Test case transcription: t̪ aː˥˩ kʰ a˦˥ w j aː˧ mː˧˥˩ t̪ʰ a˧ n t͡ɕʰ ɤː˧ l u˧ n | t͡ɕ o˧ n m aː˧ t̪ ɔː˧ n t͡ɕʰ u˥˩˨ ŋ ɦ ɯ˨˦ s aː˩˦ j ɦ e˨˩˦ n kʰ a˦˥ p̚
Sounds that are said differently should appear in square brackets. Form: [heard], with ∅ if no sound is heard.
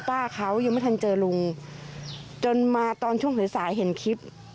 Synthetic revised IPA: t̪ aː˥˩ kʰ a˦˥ w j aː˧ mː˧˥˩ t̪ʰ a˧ n [t͡ɕ] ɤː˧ l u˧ [ŋ] | t͡ɕ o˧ n m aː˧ t̪ ɔː˧ n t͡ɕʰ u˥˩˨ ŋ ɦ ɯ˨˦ s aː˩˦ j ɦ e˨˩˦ n kʰ [i˦˥] p̚

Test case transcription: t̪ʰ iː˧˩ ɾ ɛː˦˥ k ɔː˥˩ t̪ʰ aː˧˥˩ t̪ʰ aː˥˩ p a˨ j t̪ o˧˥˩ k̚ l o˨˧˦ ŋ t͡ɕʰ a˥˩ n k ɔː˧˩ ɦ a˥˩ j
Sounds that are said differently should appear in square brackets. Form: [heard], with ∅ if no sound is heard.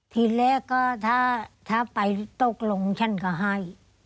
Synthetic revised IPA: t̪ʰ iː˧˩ [l] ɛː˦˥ k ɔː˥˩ t̪ʰ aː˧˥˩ t̪ʰ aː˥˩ p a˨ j t̪ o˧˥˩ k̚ l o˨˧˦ ŋ t͡ɕʰ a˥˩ n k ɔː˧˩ ɦ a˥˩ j

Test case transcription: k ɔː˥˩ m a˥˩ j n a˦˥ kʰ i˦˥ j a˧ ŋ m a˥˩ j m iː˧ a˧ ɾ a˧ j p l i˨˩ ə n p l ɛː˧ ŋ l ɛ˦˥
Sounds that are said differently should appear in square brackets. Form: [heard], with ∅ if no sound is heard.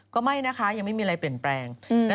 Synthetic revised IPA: k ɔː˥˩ m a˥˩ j n a˦˥ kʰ [a˦˥] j a˧ ŋ m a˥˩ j m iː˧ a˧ ɾ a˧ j p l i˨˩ ə n p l ɛː˧ ŋ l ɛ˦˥

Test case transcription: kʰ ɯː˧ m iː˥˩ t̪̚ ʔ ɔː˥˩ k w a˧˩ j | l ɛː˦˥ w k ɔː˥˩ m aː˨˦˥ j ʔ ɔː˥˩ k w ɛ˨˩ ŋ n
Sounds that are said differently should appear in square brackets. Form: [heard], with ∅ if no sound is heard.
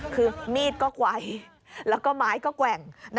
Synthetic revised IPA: kʰ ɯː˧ m iː˥˩ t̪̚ [k] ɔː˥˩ k w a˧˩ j | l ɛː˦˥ w k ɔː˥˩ m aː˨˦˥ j [k] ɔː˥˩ k w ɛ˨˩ ŋ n

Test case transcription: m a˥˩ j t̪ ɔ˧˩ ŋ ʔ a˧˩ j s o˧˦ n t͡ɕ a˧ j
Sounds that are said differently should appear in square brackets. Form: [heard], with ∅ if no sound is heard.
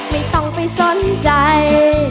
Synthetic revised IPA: m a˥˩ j t̪ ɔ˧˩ ŋ [p] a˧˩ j s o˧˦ n t͡ɕ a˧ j

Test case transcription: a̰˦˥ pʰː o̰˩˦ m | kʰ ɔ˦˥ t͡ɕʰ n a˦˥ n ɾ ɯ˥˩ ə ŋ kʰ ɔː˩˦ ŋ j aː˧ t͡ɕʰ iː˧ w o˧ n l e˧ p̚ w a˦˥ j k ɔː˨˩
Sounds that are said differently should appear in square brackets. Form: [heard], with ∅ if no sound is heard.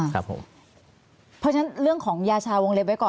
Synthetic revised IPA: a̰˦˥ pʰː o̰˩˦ m | [pʰ] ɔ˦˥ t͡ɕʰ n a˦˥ n ɾ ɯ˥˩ ə ŋ kʰ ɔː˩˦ ŋ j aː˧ t͡ɕʰ [aː˧] w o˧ [ŋ] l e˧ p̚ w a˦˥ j k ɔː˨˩

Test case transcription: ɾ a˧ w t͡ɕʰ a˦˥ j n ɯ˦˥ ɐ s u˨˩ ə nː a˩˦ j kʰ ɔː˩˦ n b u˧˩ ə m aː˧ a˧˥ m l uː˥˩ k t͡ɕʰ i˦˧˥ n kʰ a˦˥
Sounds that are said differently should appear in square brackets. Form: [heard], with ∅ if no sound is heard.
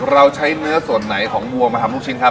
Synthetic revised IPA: ɾ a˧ w t͡ɕʰ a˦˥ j n ɯ˦˥ ɐ s u˨˩ ə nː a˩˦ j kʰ ɔː˩˦ [ŋ] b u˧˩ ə m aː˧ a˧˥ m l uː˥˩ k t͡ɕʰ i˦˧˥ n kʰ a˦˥

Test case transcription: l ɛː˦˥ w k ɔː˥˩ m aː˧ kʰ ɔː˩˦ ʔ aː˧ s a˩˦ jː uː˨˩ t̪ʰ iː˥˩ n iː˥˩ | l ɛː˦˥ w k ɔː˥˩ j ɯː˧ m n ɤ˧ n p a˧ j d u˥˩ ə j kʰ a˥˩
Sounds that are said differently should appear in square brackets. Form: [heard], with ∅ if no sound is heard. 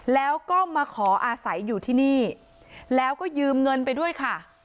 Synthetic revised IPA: l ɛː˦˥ w k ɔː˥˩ m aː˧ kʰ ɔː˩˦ ʔ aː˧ s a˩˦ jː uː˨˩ t̪ʰ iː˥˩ n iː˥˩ | l ɛː˦˥ w k ɔː˥˩ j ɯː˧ m [ŋ] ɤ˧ n p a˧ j d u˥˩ ə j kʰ a˥˩

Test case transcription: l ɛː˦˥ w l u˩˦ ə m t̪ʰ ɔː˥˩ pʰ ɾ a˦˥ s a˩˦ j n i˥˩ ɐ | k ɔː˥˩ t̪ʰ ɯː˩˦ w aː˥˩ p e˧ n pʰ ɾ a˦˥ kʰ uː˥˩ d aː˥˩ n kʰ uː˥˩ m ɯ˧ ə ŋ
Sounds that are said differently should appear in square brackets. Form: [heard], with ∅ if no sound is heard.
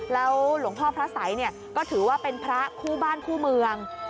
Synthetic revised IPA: l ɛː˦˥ w l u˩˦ ə [ŋ] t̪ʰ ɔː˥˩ pʰ ɾ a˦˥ s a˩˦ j n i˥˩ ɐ | k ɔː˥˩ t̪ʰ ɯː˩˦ w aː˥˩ p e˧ n pʰ ɾ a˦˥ kʰ uː˥˩ [b] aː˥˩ n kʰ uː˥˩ m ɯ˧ ə ŋ

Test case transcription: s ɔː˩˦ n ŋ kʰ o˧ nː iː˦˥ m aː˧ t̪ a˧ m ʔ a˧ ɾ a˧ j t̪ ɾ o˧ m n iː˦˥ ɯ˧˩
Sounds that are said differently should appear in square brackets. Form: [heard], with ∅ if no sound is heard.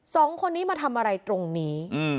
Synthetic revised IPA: s ɔː˩˦ [∅] ŋ kʰ o˧ nː iː˦˥ m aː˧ [t̪ʰ] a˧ m ʔ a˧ ɾ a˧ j t̪ ɾ o˧ [ŋ] n iː˦˥ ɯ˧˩

